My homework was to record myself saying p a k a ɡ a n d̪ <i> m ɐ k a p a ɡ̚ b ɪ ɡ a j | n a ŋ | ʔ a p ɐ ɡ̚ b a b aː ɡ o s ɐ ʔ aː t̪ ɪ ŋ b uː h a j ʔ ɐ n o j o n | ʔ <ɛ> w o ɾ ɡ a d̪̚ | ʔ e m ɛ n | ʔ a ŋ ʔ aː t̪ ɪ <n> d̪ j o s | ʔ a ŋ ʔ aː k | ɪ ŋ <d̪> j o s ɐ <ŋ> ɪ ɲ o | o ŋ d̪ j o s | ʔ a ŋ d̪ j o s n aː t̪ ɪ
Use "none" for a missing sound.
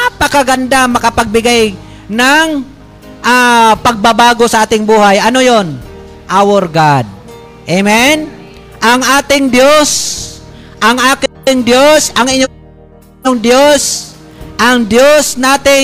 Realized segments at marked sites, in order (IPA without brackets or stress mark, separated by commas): a, a, ŋ, d̪, ŋ